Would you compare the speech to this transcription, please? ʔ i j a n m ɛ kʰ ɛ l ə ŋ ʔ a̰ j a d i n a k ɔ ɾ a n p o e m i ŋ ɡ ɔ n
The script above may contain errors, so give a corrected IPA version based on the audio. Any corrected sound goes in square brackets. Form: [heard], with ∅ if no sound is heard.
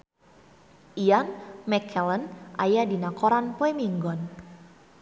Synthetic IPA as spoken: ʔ i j a n m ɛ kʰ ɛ l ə [n] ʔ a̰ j a d i n a k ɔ ɾ a n p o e m i ŋ ɡ ɔ n